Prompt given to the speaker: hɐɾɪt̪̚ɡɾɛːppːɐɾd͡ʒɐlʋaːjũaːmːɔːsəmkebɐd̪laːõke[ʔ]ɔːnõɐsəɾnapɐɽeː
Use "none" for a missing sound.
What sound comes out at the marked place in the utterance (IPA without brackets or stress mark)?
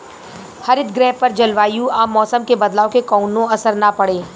k